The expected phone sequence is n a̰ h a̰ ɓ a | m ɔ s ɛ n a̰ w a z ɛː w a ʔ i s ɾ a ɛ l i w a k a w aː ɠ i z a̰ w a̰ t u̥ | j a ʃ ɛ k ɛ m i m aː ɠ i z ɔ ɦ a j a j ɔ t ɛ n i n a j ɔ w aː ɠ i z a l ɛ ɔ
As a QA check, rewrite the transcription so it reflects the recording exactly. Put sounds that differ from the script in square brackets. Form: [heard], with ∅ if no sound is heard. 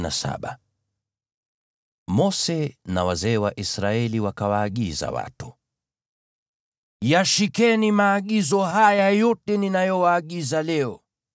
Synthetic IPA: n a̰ [s] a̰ ɓ a | m ɔ s ɛ n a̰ w a z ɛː w a ʔ i s ɾ a ɛ l i w a k a w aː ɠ i z a̰ w a̰ t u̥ | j a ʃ [i] k ɛ [n] i m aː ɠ i z ɔ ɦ a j a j ɔ t ɛ n i n a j ɔ w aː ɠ i z a l ɛ ɔ